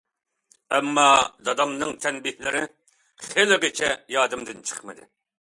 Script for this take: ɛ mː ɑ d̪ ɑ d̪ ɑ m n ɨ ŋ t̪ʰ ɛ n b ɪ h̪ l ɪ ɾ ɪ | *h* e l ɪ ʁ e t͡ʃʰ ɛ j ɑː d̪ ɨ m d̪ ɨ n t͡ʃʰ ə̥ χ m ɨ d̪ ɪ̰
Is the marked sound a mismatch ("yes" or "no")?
yes